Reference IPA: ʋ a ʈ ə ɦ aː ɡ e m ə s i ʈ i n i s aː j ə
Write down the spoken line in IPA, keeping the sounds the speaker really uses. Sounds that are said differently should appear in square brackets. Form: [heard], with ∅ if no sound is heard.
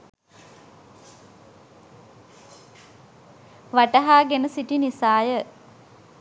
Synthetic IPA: ʋ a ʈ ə ɦ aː ɡ e [n] ə s i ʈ i n i s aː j ə